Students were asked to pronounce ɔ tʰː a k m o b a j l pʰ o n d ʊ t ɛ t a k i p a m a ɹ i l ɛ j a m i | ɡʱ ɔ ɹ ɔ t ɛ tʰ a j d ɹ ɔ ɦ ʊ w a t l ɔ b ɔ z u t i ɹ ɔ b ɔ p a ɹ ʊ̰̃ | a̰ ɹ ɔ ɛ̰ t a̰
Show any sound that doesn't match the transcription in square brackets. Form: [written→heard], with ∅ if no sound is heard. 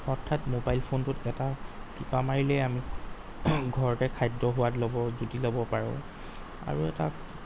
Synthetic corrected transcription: ɔ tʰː a [k→t] m o b a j l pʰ o n [d→t] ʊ t ɛ t a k i p a m a ɹ i l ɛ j a m i | ɡʱ ɔ ɹ ɔ t ɛ [tʰ→kʰ] a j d ɹ ɔ ɦ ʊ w a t l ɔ b ɔ z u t i [ɹ→l] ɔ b ɔ p a ɹ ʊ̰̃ | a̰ ɹ [ɔ→u] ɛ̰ t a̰